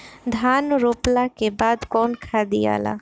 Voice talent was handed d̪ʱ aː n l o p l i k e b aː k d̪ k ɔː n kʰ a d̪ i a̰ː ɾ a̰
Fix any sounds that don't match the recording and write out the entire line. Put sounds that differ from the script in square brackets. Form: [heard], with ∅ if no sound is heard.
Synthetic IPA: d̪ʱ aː n [ɾ] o p l [a] k e b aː [∅] d̪ k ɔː n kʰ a d̪ i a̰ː [l] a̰